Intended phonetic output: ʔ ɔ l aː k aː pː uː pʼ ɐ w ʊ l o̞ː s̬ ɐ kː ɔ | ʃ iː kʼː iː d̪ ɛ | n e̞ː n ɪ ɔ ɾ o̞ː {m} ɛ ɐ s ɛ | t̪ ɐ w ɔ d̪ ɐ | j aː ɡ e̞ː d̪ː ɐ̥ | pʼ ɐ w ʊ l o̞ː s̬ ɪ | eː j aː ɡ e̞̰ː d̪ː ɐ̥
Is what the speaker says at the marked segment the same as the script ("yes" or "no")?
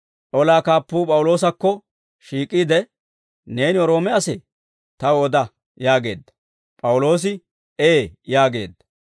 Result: yes